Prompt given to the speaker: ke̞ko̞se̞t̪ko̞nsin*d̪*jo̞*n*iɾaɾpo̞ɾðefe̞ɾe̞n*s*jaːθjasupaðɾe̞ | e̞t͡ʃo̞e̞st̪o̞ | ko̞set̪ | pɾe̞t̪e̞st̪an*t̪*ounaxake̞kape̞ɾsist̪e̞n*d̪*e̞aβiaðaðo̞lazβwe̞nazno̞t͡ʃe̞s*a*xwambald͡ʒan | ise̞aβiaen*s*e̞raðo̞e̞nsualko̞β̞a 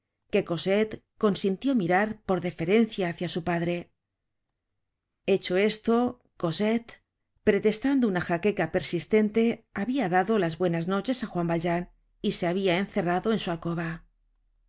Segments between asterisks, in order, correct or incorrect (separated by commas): incorrect, incorrect, incorrect, incorrect, incorrect, correct, incorrect